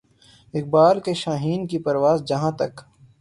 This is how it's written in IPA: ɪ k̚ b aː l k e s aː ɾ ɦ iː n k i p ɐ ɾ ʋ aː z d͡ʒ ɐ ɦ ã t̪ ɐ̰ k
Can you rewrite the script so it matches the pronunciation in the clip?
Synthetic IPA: ɪ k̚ b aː l k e ʃ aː ɦ iː n k i p ɐ ɾ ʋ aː z d͡ʒ ɐ ɦ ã t̪ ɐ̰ k